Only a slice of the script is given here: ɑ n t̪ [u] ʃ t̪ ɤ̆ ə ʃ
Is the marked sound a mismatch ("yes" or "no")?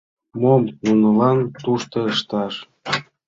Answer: no